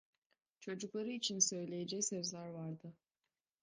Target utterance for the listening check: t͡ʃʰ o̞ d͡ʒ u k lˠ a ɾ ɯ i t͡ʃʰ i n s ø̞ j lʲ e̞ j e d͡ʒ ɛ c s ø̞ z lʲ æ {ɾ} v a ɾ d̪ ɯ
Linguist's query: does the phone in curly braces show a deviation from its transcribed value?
no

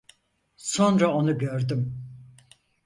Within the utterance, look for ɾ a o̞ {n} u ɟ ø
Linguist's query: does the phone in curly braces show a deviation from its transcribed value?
no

